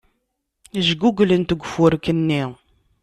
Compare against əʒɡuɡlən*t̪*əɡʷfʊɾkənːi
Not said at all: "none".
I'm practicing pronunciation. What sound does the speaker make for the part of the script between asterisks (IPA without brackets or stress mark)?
t̪